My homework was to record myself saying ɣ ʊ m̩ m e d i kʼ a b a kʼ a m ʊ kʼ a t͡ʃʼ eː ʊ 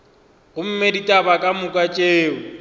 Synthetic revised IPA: ɣ ʊ m̩ m e d i tʼ a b a kʼ a m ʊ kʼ a t͡ʃʼ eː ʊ